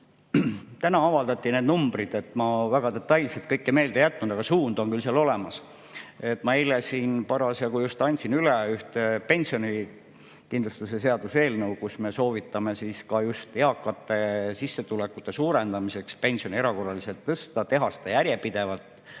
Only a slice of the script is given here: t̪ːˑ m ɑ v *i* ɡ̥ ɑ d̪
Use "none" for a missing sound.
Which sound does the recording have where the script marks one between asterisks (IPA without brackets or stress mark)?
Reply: æ